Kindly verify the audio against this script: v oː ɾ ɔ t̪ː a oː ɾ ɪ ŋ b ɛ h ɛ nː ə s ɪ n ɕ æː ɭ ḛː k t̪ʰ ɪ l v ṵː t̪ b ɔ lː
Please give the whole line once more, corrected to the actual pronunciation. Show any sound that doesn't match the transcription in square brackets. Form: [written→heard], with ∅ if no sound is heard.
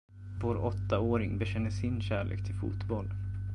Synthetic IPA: v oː ɾ ɔ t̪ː a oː ɾ ɪ ŋ b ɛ [h→ɕ] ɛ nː ə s ɪ n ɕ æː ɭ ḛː k t̪ʰ ɪ l [v→f] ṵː t̪ b ɔ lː